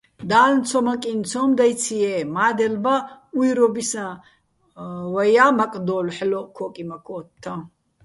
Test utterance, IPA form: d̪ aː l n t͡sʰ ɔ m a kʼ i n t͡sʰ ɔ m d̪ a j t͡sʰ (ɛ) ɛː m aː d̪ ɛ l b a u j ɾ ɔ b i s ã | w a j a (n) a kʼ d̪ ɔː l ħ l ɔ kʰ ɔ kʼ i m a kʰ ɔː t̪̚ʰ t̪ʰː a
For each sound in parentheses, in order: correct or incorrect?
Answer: incorrect: i, incorrect: m

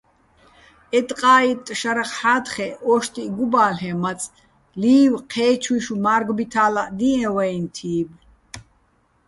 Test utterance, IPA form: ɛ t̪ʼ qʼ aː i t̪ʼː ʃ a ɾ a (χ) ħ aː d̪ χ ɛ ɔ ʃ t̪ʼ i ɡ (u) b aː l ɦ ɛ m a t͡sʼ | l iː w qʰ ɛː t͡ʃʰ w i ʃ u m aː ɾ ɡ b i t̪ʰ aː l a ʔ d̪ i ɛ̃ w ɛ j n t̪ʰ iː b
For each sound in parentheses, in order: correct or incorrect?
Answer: correct, correct

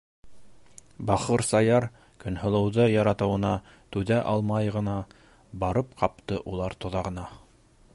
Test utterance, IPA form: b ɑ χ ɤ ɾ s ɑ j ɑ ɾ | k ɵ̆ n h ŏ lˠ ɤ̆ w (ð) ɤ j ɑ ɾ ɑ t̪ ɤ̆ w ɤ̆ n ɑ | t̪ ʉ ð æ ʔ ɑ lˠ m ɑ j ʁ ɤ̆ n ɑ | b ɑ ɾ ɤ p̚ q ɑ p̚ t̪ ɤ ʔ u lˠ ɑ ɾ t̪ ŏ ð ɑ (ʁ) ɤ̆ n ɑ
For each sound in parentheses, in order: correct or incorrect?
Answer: correct, correct

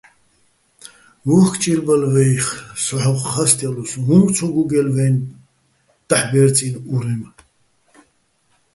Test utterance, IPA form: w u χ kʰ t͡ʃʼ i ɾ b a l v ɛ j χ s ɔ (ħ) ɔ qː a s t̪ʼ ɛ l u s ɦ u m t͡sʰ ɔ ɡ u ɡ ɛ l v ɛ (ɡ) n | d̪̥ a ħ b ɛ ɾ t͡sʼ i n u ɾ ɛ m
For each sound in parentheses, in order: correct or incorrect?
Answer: correct, incorrect: none

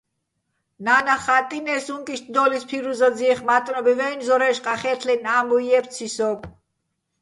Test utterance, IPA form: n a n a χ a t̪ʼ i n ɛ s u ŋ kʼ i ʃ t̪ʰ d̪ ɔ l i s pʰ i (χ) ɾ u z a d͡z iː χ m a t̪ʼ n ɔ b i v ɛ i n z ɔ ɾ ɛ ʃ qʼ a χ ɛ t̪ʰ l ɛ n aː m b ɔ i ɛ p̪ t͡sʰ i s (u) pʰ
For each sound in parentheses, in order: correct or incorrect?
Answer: incorrect: none, incorrect: ɔ

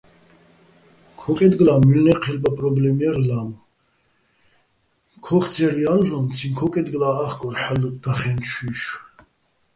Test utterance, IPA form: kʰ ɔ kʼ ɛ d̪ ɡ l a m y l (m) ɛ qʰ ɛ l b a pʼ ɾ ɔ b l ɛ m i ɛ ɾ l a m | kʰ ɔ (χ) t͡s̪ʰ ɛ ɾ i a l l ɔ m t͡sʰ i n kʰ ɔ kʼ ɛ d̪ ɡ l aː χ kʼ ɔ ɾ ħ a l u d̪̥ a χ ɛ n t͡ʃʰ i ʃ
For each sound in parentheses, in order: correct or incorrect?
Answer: incorrect: n, correct

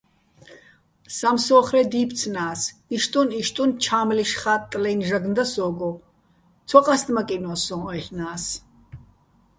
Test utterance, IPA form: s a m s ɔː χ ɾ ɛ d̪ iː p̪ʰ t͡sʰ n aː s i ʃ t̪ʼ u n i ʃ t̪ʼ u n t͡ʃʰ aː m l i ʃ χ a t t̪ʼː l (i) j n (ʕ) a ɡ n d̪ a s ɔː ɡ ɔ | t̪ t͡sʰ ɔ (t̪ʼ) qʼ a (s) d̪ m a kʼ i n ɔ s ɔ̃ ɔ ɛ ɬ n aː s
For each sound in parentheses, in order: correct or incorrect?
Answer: incorrect: ɛ, incorrect: ʒ, incorrect: none, correct

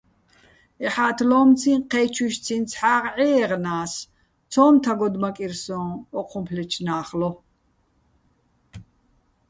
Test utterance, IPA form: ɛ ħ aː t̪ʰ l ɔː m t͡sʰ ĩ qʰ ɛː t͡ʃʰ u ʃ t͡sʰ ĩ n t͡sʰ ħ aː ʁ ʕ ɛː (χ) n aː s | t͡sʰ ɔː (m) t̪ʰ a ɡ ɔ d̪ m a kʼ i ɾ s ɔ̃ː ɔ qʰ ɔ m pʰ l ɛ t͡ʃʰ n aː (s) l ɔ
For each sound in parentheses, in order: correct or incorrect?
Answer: incorrect: ʁ, correct, incorrect: χ

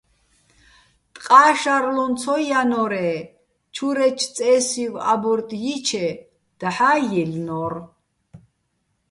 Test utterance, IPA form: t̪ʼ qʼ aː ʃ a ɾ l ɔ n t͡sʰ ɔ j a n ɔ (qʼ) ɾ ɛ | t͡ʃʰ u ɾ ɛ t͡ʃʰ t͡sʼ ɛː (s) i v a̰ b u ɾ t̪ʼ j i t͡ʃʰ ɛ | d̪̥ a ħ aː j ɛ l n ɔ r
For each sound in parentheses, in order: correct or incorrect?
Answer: incorrect: none, correct

